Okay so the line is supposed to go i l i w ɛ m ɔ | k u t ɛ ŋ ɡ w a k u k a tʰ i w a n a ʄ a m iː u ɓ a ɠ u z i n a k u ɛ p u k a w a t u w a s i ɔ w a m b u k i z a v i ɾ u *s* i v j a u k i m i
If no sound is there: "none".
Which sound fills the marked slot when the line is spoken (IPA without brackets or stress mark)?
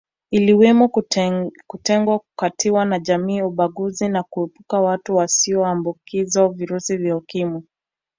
s